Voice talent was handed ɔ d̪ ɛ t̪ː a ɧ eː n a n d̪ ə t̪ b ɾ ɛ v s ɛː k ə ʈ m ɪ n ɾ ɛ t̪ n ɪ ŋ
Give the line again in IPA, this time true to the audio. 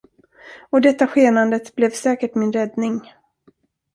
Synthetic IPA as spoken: ɔ d̪ ɛ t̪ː a ɧ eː n a n d̪ ə t̪ b l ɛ v s ɛː k ə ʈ m ɪ n ɾ ɛ d̪ n ɪ ŋ